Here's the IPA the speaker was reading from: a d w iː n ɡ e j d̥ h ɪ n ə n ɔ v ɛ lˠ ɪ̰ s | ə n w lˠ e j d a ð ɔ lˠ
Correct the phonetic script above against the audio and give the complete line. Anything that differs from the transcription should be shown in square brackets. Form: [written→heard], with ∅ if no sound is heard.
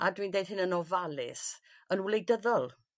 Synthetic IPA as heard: a d w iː n [ɡ→d] e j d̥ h ɪ n ə n ɔ v [ɛ→a] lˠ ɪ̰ s | ə n w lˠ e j d [a→ə] ð ɔ lˠ

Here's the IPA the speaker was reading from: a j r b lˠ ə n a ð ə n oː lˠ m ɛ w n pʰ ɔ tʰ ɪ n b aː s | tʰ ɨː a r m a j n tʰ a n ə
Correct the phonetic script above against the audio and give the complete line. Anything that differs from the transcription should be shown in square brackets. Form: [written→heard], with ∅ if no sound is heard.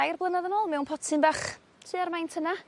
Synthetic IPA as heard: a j r b lˠ ə n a ð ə n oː lˠ m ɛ w n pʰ ɔ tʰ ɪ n b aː [s→χ] | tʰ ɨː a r m a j n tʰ [a→ə] n [ə→a]

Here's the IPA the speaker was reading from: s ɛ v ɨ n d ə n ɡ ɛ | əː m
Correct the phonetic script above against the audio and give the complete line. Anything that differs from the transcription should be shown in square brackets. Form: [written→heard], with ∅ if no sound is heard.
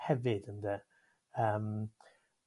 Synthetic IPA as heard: [s→h] ɛ v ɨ [n→∅] d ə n [ɡ→d] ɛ | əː m

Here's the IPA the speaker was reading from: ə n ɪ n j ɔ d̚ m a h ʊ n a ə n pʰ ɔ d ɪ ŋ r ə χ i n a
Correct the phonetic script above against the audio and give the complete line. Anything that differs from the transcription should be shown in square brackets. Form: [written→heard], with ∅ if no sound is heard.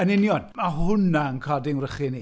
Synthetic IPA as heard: ə n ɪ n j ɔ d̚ m a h ʊ n a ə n [pʰ→kʰ] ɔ d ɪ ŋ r ə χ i n [a→i]

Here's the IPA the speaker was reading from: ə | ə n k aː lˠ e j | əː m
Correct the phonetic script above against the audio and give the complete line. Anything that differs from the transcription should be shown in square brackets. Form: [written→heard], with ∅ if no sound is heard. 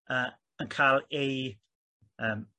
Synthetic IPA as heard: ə | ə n [k→kʰ] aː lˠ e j | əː m

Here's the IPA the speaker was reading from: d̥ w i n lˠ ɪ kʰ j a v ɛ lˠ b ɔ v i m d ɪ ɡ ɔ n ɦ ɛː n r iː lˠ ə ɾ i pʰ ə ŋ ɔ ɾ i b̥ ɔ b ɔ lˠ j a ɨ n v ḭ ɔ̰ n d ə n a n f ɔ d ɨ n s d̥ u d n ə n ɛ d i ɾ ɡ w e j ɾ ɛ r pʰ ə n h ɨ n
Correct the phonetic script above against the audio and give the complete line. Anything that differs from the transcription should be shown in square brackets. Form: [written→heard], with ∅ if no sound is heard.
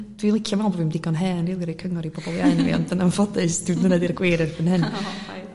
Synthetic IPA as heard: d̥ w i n lˠ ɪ kʰ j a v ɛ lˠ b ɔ v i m d ɪ ɡ ɔ n ɦ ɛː n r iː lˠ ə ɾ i [pʰ→kʰ] ə ŋ ɔ ɾ i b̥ ɔ b ɔ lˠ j a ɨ n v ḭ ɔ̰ n d ə n a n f ɔ d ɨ [n→∅] s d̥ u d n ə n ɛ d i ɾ ɡ w e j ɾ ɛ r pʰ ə n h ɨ n

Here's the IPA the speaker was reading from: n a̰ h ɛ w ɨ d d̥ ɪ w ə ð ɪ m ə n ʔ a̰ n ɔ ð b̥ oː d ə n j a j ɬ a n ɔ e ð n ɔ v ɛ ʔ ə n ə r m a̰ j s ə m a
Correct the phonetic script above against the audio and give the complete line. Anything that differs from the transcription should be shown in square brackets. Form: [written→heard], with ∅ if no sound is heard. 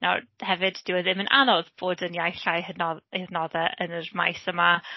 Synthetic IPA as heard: n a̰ h ɛ [w→v] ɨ d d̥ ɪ w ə ð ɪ m ə n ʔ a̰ n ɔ ð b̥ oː d ə n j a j ɬ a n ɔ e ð n ɔ [v→ð] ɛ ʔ ə n ə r m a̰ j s ə m a

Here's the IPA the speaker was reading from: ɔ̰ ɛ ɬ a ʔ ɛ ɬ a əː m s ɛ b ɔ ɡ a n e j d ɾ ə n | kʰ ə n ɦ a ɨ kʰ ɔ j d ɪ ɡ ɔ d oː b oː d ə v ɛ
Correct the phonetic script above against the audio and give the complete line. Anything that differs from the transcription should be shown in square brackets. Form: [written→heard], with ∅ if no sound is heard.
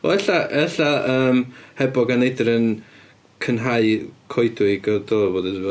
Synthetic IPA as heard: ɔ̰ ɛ ɬ a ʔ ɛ ɬ a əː m [s→h] ɛ b ɔ ɡ a n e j d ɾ ə n | kʰ ə n ɦ a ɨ kʰ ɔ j d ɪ ɡ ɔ d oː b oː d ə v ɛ

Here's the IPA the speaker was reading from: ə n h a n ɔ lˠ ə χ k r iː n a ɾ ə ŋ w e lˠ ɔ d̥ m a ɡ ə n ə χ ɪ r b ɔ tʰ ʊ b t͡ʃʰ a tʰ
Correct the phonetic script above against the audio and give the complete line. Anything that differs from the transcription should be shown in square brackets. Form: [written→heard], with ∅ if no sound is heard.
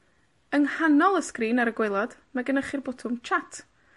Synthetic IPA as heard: ə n h a n ɔ lˠ ə [χ→s] k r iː n a ɾ ə [ŋ→ɡ] w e lˠ ɔ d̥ m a ɡ ə n ə χ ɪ r b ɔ tʰ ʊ [b→m] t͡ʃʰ a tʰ

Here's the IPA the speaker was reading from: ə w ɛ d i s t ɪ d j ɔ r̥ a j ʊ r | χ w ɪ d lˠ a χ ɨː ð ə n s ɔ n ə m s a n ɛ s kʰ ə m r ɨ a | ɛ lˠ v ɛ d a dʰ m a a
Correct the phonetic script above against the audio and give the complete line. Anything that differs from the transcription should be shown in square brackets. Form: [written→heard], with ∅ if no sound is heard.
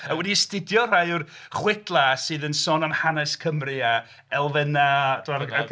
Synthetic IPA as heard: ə w ɛ d i s t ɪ d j ɔ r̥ a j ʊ r | χ w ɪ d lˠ a [χ→s] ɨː ð ə n s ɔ n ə m [s→h] a n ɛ s kʰ ə m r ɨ a | ɛ lˠ v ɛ [d→n] a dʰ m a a

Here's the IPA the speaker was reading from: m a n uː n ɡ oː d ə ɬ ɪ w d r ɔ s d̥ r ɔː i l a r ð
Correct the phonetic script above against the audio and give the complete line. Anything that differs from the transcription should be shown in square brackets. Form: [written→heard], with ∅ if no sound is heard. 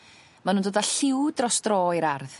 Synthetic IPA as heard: m a n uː n [ɡ→d] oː d [ə→a] ɬ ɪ w d r ɔ s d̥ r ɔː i [l→ɾ] a r ð

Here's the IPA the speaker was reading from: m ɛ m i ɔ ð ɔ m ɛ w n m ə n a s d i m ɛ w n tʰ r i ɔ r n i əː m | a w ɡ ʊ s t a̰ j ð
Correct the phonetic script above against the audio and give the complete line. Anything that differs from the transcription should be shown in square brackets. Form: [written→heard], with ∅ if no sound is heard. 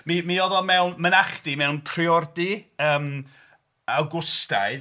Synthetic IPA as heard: m [ɛ→i] m i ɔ ð ɔ m ɛ w n m ə n a [s→χ] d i m ɛ w n [tʰ→pʰ] r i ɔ r [n→d] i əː m | a w ɡ ʊ s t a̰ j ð

